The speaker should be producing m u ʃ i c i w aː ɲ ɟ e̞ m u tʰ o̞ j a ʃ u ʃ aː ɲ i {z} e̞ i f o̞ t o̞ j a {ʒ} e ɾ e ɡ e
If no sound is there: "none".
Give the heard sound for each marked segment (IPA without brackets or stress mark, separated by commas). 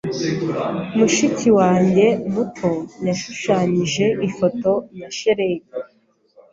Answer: ʒ, ʃ